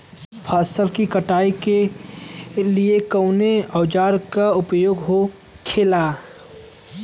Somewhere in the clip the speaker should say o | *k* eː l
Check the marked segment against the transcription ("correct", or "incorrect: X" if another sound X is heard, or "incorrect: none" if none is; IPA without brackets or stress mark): incorrect: kʰ